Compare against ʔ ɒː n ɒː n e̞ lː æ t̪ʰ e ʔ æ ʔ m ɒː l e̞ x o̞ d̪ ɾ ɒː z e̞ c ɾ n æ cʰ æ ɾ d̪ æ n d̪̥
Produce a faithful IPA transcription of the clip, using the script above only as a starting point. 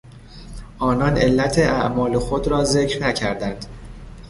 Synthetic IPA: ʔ ɒː n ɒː n e̞ lː æ t̪ʰ e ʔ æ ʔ m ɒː l e̞ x o̞ d̪ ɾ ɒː z e̞ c ɾ n æ cʰ æ ɾ d̪ æ n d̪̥